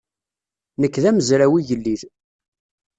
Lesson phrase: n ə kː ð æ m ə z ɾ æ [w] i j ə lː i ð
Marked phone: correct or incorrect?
correct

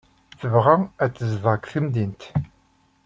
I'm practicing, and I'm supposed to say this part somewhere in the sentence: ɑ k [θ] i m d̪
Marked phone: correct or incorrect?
correct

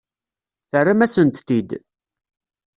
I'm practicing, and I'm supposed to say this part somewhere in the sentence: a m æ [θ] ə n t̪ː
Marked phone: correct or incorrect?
incorrect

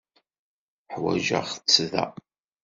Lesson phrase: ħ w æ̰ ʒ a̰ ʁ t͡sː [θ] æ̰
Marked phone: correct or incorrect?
incorrect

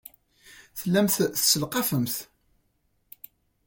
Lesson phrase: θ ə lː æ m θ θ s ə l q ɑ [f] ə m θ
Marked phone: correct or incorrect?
correct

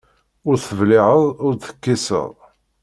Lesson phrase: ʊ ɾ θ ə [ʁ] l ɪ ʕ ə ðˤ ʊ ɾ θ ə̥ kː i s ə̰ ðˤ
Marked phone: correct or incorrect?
incorrect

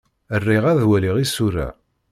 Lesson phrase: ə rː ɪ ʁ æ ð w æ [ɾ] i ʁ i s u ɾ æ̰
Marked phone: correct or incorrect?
incorrect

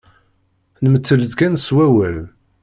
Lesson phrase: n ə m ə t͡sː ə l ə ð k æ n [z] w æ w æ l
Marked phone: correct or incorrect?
incorrect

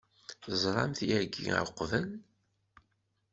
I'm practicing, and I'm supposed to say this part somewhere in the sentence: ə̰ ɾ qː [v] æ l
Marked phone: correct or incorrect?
correct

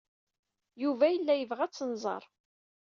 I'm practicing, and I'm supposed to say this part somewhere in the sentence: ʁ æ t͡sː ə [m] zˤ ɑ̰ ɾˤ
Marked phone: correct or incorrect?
incorrect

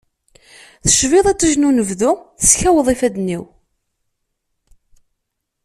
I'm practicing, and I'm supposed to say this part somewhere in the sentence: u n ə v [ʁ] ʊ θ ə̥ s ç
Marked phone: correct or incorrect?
incorrect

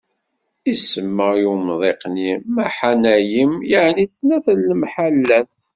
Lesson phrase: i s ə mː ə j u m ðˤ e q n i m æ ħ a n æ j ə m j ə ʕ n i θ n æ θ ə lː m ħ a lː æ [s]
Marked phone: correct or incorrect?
incorrect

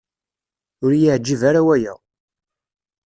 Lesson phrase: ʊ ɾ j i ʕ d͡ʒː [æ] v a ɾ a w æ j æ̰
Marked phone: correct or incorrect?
incorrect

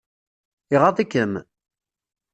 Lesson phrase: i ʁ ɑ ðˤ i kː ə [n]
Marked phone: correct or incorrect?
incorrect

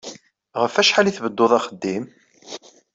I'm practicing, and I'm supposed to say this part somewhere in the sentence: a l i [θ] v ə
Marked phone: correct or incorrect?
correct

